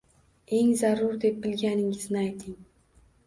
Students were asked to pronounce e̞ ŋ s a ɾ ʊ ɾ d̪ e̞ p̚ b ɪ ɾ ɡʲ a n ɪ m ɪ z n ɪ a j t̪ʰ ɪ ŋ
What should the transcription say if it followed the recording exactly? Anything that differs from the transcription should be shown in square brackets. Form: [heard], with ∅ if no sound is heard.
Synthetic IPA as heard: e̞ ŋ [z] a ɾ ʊ ɾ d̪ e̞ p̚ b ɪ [l] ɡʲ a n ɪ [ŋ] ɪ z n ɪ a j t̪ʰ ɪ ŋ